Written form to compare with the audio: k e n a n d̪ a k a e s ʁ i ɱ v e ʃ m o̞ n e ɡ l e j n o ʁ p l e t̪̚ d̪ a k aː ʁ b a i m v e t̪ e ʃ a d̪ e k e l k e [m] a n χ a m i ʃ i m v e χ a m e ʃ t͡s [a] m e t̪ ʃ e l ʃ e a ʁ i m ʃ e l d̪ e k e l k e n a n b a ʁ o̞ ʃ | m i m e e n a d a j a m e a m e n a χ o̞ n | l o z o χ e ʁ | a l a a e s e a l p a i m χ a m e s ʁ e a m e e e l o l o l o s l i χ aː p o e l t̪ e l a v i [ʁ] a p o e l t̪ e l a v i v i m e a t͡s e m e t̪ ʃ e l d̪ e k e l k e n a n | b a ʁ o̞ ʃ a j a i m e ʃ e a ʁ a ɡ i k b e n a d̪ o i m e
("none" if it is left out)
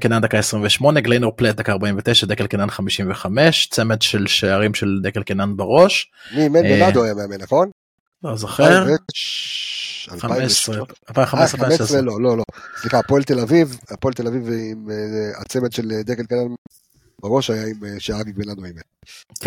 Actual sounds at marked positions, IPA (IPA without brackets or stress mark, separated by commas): n, e, v